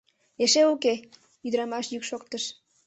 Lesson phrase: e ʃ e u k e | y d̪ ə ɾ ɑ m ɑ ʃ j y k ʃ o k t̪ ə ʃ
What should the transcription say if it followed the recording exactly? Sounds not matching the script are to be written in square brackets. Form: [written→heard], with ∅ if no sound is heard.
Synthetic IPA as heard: e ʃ e u k e | y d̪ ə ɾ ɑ m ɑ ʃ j y k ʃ o k t̪ ə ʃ